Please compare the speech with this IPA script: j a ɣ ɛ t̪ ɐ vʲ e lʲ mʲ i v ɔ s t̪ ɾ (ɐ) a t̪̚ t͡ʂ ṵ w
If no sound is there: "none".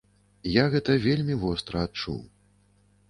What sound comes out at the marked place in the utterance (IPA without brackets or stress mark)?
ɐ